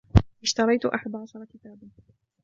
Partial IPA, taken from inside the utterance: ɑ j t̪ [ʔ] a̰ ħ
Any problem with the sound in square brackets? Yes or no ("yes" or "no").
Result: no